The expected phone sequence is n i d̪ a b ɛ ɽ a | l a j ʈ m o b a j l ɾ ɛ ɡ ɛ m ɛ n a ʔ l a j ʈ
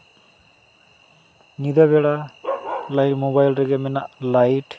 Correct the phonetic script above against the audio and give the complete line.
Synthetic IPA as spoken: n i d̪ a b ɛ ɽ a | l a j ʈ m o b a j l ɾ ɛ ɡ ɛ m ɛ n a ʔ l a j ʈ